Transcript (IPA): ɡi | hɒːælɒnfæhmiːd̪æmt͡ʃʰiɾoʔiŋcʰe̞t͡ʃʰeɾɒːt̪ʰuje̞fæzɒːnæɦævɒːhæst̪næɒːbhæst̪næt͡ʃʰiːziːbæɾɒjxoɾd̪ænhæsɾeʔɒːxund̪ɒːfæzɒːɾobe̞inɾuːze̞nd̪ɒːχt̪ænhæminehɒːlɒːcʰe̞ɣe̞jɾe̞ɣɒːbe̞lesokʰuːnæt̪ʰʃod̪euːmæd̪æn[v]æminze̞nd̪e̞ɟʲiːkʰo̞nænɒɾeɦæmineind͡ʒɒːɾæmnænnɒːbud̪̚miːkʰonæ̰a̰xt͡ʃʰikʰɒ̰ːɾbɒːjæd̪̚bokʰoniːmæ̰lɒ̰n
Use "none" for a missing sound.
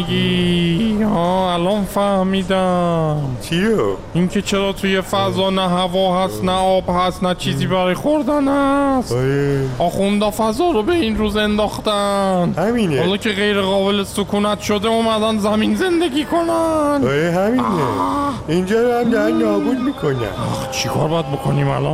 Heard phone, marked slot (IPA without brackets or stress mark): z